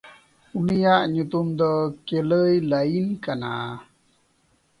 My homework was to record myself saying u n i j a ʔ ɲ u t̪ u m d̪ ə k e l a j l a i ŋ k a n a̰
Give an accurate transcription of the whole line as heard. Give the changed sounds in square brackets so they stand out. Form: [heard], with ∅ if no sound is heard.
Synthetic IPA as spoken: u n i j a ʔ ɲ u t̪ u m d̪ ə k e l [ə] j l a i [n] k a n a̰